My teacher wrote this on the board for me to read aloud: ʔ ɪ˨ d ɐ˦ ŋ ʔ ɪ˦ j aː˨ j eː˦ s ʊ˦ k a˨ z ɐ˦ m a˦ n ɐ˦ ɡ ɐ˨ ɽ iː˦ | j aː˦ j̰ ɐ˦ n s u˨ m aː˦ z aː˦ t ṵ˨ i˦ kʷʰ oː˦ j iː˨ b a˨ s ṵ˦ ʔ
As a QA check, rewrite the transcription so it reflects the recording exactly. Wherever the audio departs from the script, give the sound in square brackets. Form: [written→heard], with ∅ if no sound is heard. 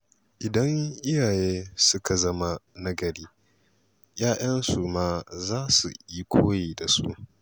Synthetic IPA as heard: ʔ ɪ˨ d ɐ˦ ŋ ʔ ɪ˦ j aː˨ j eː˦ s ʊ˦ k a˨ z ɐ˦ m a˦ n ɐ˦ ɡ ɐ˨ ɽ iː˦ | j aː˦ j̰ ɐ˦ n s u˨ m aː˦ z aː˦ [t→s] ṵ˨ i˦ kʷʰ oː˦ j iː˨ [b→d] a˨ s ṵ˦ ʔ